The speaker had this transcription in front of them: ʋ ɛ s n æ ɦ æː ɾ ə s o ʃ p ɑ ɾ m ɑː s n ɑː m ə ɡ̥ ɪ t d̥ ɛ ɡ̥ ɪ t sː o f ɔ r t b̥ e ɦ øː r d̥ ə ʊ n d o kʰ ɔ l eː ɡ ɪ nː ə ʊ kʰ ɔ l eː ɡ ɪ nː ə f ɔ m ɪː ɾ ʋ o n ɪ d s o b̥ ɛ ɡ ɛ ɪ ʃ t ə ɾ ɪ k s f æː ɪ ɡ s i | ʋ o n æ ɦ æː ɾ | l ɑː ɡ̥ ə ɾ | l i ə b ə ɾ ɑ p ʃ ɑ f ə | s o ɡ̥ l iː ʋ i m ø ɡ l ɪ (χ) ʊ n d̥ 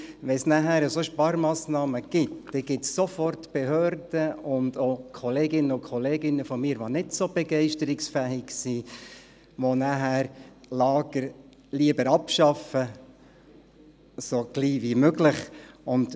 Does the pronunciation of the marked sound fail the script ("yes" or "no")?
no